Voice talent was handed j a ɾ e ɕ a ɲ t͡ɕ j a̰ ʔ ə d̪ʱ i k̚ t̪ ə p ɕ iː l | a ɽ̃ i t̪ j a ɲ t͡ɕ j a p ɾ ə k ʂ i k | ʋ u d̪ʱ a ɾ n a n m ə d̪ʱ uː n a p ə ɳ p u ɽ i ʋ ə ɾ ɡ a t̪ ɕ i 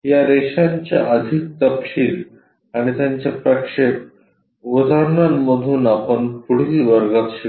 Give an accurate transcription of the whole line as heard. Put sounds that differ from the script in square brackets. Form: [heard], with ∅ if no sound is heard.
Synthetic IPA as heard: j a ɾ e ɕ a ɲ t͡ɕ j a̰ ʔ ə d̪ʱ i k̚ t̪ ə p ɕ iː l | a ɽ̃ i t̪ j a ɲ t͡ɕ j a p ɾ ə k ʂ [e] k | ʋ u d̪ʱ a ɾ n a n m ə d̪ʱ uː n a p ə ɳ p u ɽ i ʋ ə ɾ ɡ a t̪ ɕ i